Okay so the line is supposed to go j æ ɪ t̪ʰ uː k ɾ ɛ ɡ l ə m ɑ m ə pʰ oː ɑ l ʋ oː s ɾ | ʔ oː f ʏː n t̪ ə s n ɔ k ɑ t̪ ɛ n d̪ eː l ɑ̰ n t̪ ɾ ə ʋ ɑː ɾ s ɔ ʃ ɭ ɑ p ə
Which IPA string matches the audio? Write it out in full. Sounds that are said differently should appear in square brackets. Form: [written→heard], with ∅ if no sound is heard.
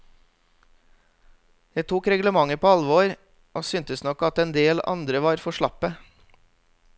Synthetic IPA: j æ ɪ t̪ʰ uː k ɾ ɛ ɡ l ə m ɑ [m→ŋ] ə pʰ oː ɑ l ʋ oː [s→∅] ɾ | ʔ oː [f→s] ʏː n t̪ ə s n ɔ k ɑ t̪ ɛ n d̪ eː l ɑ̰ n [t̪→d̪] ɾ ə ʋ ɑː ɾ [s→f] ɔ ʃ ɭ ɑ p ə